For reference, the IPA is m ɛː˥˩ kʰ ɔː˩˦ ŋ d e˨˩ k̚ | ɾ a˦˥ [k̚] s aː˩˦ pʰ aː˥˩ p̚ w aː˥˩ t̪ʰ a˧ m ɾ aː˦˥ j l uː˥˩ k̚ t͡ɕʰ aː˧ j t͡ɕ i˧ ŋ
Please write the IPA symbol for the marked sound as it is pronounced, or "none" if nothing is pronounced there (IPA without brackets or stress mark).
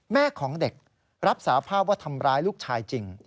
p̚